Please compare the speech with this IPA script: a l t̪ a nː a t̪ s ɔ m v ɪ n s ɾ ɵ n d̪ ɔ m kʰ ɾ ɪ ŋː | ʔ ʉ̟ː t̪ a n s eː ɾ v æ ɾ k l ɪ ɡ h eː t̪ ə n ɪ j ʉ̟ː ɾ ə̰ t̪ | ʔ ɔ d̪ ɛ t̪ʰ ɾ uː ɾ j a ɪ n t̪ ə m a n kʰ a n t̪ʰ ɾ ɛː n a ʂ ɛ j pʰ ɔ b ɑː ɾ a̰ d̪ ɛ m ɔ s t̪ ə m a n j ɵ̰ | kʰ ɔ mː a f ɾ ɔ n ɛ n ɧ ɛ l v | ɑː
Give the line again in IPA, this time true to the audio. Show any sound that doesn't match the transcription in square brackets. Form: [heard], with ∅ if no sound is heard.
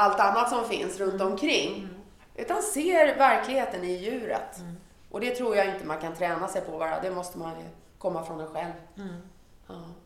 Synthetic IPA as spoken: a l t̪ a nː a t̪ s ɔ m [f] ɪ n s ɾ ɵ n [t̪] ɔ m kʰ ɾ ɪ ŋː | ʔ ʉ̟ː t̪ a n s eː ɾ v æ ɾ k l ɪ ɡ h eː t̪ ə n ɪ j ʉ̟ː ɾ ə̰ t̪ | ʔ ɔ d̪ ɛ t̪ʰ ɾ uː ɾ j a ɪ n t̪ ə m a n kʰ a n t̪ʰ ɾ ɛː n a [s] ɛ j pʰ ɔ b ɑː ɾ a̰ d̪ ɛ m ɔ s t̪ ə m a n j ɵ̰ | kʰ ɔ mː a f ɾ ɔ n ɛ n ɧ ɛ l v | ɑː